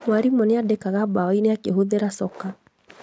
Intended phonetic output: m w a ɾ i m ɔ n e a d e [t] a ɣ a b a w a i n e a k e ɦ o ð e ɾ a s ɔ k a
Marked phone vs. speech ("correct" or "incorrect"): incorrect